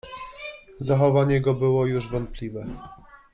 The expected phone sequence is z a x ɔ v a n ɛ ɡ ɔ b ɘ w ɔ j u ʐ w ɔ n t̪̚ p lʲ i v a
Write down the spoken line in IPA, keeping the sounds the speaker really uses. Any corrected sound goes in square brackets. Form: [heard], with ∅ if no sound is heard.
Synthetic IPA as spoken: z a x ɔ v a [ɲ] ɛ ɡ ɔ b ɘ w ɔ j u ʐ [v] ɔ n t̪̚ p lʲ i v [ɛ]

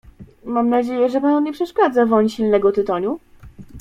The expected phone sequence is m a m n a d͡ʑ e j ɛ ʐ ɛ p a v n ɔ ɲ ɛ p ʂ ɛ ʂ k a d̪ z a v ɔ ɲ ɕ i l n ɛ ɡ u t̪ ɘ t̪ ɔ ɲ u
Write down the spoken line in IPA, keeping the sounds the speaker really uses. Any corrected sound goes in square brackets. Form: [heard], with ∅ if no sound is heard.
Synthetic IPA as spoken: m a m n a d͡ʑ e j ɛ ʐ ɛ p a [∅] n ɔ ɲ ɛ p ʂ ɛ ʂ k a d̪ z a v ɔ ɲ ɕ i l n ɛ ɡ [ɔ] t̪ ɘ t̪ ɔ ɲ u

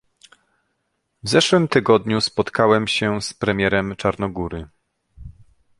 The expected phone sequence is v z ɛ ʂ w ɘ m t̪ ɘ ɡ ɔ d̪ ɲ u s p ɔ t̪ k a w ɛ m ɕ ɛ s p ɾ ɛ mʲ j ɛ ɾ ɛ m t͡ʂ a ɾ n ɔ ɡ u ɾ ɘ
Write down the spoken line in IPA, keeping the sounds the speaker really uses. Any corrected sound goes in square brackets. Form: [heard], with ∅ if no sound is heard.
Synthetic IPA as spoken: v z ɛ ʂ w ɘ m t̪ ɘ ɡ ɔ d̪ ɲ u s p ɔ t̪ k a w ɛ m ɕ ɛ s p ɾ ɛ mʲ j ɛ ɾ ɛ m t͡ʂ a ɾ n ɔ ɡ u ɾ ɘ

